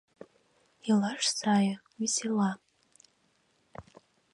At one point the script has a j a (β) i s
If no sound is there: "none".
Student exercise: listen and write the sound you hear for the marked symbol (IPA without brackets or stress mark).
w